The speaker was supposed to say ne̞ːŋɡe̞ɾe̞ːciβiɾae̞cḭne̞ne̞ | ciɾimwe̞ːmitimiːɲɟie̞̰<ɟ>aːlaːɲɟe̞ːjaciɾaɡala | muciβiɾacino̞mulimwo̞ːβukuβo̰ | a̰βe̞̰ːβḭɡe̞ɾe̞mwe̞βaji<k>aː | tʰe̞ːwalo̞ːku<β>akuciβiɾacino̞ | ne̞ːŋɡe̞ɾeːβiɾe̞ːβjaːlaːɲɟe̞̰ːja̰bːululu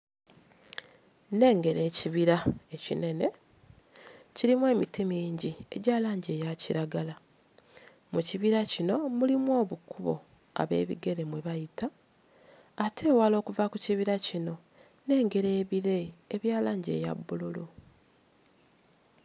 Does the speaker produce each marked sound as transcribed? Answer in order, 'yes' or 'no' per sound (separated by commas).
yes, no, no